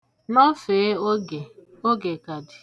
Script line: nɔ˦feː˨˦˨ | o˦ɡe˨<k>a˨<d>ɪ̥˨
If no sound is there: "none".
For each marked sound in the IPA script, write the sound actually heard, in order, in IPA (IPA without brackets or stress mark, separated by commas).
k, d